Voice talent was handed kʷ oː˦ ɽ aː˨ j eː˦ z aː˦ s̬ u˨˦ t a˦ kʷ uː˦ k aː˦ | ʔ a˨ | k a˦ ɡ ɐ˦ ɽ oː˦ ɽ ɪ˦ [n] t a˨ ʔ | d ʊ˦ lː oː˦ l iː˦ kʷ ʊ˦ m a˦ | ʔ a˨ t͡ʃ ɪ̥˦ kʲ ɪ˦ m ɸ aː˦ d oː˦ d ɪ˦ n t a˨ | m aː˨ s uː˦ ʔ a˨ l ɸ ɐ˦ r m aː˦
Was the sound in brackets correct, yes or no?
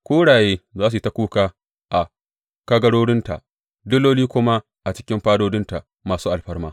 yes